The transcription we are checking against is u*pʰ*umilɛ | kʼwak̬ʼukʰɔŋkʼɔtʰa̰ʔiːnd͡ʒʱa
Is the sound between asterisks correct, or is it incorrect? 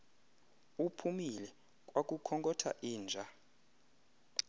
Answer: correct